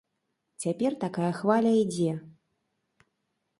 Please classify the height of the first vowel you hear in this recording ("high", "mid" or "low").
low